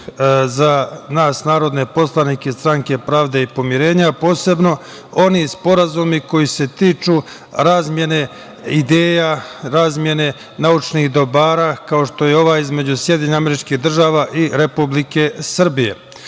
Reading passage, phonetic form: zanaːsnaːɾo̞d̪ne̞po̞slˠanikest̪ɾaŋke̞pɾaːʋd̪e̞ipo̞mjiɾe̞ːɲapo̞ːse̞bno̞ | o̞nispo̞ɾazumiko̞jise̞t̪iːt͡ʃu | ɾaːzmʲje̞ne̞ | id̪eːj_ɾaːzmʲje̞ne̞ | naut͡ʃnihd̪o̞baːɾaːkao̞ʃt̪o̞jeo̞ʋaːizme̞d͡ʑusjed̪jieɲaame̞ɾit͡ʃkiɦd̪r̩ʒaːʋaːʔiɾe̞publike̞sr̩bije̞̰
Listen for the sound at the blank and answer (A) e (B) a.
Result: B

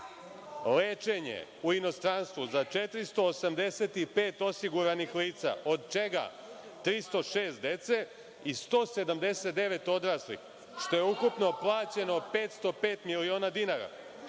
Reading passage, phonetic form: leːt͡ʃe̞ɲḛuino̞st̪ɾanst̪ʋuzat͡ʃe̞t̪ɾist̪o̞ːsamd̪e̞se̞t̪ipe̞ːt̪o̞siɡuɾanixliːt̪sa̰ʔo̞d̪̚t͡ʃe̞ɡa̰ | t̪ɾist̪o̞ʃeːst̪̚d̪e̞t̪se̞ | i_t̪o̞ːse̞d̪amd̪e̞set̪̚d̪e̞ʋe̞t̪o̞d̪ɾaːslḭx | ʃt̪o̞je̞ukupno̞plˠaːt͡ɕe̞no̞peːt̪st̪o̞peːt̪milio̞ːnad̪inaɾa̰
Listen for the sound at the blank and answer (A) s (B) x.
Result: A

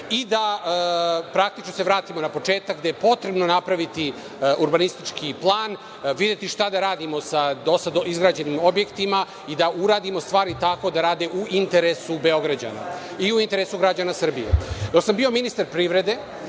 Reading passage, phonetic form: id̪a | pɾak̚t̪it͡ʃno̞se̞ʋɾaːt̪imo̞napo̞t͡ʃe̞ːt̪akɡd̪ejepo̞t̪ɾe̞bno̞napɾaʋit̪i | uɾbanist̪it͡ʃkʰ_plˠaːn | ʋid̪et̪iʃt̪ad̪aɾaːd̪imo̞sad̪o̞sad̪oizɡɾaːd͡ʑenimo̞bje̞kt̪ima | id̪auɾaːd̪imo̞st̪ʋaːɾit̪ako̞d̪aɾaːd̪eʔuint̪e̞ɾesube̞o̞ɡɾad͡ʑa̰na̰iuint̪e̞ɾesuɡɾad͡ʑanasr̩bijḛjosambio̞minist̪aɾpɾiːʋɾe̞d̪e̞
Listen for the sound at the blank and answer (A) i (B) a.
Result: A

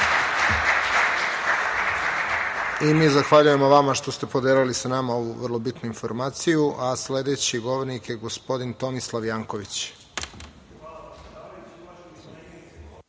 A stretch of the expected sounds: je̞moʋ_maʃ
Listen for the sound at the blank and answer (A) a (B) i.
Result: A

